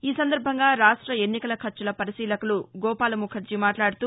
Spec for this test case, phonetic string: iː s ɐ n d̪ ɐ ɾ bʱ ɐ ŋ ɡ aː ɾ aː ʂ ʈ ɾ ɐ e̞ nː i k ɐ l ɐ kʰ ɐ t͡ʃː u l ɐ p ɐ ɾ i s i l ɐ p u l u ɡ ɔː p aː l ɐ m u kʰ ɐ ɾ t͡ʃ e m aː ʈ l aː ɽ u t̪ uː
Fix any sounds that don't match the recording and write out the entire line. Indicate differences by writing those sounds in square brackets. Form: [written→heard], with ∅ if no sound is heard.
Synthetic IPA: iː s ɐ n d̪ ɐ ɾ bʱ ɐ ŋ ɡ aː ɾ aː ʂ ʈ ɾ ɐ e̞ nː i k ɐ l ɐ kʰ ɐ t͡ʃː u l ɐ p ɐ ɾ i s [i→iː] l ɐ [p→k] u l u ɡ ɔː p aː l ɐ m u kʰ ɐ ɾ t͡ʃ [e→i] m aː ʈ l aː ɽ u t̪ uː

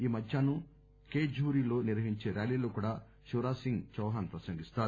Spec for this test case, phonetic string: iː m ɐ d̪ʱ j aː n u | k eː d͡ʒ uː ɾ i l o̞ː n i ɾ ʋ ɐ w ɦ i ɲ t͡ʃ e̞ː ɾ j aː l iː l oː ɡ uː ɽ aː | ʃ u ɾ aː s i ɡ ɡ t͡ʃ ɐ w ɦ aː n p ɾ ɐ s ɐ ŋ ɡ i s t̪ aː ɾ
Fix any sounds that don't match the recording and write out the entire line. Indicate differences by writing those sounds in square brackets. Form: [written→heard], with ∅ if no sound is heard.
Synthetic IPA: iː m ɐ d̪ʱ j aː n u | k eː d͡ʒ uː ɾ i l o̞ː n i ɾ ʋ ɐ [w→∅] ɦ i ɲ t͡ʃ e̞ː ɾ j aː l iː l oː [ɡ→k] uː ɽ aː | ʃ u ɾ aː s i [ɡ→ŋ] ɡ t͡ʃ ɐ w ɦ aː n p ɾ ɐ s ɐ ŋ ɡ i s t̪ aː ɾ

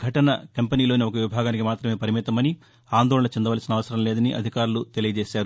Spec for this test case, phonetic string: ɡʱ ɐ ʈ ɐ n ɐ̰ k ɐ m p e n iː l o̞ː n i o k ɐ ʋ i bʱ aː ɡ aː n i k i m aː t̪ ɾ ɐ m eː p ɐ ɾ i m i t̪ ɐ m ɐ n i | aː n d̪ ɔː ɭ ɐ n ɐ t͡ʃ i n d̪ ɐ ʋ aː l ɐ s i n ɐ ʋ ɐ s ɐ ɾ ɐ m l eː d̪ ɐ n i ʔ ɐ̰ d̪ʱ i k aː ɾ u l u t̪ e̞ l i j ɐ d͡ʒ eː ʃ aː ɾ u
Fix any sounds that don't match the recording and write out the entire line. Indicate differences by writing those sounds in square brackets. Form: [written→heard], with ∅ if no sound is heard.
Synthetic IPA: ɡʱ ɐ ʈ ɐ n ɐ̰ k ɐ m p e n iː l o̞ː n i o k ɐ ʋ i bʱ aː ɡ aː n i k i m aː t̪ ɾ ɐ m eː p ɐ ɾ i m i t̪ ɐ m ɐ n i | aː n d̪ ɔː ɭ ɐ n ɐ t͡ʃ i n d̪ ɐ ʋ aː l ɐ s i n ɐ ʋ ɐ s ɐ ɾ ɐ m l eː d̪ ɐ n i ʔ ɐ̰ d̪ʱ i k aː ɾ u l u t̪ e̞ l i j ɐ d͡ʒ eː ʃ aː ɾ u

